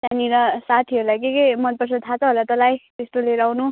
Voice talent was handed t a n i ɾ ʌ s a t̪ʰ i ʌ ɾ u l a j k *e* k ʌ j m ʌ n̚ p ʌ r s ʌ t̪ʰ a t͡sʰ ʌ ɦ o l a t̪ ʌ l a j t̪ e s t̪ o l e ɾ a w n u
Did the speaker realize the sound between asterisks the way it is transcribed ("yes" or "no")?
yes